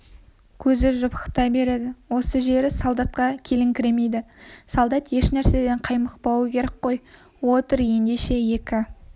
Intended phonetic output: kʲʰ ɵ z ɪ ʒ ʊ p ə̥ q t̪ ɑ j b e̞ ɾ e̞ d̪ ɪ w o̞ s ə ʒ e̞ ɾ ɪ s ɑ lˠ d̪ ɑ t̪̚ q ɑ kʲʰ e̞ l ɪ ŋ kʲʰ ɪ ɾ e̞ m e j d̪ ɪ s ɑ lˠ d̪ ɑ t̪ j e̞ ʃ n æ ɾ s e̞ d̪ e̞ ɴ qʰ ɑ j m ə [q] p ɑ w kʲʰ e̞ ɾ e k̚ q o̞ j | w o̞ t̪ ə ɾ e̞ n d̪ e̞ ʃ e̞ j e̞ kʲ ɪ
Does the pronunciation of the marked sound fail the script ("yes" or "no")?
no